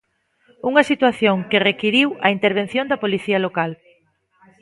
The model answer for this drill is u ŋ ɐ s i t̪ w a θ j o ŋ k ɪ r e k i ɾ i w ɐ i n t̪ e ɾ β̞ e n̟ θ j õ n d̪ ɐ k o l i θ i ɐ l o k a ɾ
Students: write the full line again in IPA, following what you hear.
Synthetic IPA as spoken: u ŋ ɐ s i t̪ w a θ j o ŋ k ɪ r e k i ɾ i w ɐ i n t̪ e ɾ β̞ e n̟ θ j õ n d̪ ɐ p o l i θ i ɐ l o k a l